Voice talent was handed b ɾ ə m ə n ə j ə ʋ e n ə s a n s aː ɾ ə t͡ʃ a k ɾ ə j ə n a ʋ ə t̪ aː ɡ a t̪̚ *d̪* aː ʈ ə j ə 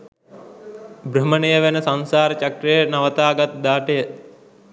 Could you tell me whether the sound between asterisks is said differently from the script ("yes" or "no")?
no